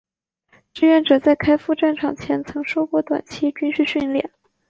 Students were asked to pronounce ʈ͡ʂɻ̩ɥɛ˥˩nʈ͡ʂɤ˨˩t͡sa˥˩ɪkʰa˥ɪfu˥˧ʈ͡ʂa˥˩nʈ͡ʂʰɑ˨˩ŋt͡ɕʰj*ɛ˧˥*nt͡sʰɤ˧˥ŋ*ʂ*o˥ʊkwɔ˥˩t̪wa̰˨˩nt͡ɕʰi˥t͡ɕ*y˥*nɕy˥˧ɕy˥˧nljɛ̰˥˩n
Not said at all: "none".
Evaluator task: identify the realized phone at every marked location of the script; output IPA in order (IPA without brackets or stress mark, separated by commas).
ɛ˧˥, ʂ, y˥